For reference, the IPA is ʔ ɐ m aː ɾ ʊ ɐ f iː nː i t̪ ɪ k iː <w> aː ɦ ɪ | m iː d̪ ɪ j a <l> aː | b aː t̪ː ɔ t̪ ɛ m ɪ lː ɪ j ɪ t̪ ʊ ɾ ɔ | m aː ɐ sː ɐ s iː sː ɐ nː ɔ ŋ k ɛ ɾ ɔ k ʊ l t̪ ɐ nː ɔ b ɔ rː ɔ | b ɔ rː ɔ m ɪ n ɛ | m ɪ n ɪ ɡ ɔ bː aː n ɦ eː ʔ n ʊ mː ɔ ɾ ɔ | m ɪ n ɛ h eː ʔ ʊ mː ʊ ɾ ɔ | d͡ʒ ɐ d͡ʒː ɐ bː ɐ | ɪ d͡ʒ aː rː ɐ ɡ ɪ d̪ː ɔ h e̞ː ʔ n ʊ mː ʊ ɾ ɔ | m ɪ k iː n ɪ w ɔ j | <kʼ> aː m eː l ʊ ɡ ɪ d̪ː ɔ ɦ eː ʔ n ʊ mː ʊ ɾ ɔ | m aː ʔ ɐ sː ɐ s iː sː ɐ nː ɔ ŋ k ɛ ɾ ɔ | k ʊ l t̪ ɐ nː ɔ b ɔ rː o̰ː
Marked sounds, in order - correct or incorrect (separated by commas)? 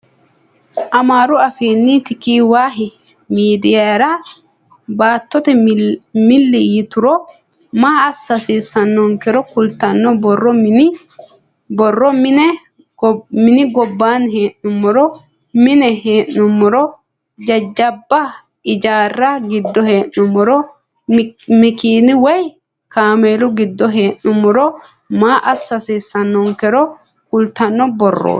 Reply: correct, incorrect, incorrect